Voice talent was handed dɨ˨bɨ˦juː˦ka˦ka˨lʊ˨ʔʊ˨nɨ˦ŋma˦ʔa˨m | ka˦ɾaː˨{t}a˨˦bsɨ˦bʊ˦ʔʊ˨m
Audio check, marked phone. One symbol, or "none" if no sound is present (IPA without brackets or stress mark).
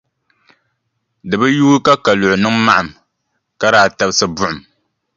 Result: t